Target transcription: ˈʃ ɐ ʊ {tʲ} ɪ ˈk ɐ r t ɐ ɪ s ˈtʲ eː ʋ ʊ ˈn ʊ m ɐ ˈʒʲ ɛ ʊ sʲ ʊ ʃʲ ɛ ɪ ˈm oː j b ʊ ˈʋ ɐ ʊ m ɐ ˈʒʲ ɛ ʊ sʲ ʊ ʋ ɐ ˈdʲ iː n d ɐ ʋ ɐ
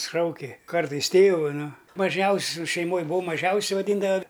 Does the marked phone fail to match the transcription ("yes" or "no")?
yes